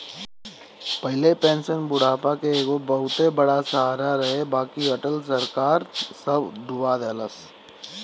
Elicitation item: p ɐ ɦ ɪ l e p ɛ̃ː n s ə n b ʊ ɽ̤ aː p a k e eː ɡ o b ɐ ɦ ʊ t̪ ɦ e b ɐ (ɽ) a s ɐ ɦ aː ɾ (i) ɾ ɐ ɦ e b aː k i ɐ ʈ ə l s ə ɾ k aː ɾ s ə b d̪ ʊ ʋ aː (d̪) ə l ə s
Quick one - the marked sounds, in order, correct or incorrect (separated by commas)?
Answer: correct, incorrect, correct